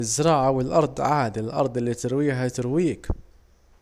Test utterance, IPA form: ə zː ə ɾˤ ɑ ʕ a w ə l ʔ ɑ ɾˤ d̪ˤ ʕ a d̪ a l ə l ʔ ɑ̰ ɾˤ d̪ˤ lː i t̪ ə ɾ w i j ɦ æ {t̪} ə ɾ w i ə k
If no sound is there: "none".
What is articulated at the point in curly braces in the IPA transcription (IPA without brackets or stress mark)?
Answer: t̪